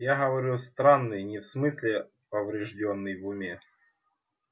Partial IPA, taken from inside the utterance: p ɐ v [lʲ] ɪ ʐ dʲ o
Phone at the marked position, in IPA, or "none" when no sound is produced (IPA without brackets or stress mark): ɾʲ